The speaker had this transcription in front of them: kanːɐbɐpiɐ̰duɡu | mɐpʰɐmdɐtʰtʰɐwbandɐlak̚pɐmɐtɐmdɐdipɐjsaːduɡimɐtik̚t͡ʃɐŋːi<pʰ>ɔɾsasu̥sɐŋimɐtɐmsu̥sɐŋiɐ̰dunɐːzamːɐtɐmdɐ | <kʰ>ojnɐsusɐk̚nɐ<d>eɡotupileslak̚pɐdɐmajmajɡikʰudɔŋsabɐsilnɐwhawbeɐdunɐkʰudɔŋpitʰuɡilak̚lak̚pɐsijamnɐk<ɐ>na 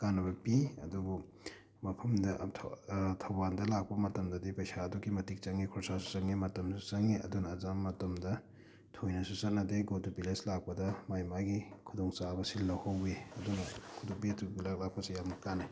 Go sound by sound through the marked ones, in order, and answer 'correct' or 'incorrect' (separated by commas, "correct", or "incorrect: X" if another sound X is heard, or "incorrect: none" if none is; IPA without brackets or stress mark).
incorrect: kʰ, incorrect: tʰ, correct, incorrect: a